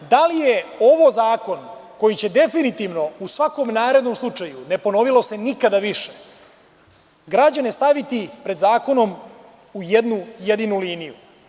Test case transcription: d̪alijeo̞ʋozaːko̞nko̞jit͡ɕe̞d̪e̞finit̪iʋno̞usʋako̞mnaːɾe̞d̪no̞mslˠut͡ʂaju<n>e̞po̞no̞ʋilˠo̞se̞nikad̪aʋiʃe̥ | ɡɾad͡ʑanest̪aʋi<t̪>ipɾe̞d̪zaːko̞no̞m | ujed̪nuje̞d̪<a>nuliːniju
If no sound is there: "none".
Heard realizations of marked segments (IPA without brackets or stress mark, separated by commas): n, t̪, i